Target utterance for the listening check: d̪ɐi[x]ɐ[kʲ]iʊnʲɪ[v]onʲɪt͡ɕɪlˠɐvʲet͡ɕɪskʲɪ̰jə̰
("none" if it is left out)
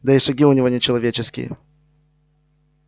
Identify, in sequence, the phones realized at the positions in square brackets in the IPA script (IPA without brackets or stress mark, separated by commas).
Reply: ʂ, ɡʲ, v